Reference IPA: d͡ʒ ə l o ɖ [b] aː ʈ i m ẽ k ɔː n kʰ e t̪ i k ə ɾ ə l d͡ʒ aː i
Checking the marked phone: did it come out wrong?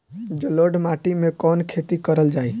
yes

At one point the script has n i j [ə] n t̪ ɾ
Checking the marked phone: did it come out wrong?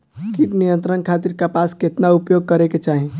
no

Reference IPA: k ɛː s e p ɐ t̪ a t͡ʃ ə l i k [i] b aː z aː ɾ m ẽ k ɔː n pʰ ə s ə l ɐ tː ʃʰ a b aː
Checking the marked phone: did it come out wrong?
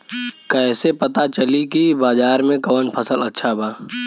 no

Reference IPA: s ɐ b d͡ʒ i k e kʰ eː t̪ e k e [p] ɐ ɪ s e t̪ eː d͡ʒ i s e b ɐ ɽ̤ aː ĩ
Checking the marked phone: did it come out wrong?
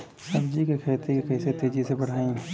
yes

